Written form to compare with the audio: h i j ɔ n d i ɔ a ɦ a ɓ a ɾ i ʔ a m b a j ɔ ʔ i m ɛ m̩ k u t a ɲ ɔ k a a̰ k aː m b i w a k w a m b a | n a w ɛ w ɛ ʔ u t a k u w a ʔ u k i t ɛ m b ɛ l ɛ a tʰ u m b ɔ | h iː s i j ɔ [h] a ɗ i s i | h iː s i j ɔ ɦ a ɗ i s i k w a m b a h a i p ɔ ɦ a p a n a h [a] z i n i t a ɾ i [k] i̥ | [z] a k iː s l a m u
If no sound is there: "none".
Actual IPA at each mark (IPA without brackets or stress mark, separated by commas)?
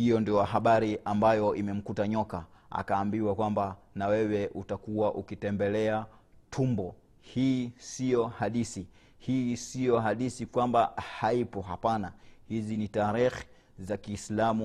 h, i, x, z